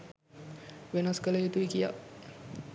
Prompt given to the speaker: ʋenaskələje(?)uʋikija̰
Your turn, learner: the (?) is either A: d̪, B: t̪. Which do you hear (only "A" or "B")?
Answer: B